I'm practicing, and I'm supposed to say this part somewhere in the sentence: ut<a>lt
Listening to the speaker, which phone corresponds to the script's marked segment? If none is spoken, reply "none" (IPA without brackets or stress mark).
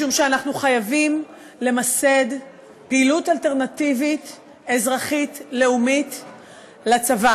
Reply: a